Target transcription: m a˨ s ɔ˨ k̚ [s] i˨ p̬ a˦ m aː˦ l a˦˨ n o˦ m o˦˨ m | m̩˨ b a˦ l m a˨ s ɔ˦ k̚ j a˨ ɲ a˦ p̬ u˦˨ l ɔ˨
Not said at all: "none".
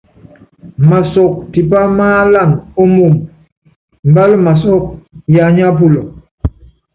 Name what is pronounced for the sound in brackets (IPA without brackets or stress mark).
t